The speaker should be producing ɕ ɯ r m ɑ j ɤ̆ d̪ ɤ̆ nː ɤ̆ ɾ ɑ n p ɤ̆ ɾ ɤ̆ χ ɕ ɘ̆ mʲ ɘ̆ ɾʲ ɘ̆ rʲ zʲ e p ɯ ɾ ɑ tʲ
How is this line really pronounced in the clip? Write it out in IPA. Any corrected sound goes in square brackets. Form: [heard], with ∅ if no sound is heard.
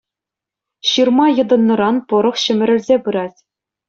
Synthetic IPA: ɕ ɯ r m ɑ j ɤ̆ d̪ ɤ̆ nː ɤ̆ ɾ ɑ n p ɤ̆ ɾ ɤ̆ χ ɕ ɘ̆ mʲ ɘ̆ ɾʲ ɘ̆ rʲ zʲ e p ɯ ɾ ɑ tʲ